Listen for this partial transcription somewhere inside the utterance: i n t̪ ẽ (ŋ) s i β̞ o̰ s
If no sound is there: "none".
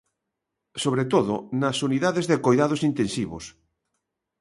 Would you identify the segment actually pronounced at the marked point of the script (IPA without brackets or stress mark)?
n